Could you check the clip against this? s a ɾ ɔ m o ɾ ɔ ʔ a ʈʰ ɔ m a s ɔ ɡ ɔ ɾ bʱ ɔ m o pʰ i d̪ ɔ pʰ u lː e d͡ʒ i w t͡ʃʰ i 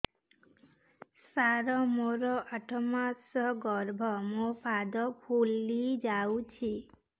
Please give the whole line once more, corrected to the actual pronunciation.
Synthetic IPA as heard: s a ɾ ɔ m o ɾ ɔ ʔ a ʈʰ ɔ m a s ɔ ɡ ɔ ɾ bʱ ɔ m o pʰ a d̪ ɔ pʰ u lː i d͡ʒ a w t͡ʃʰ i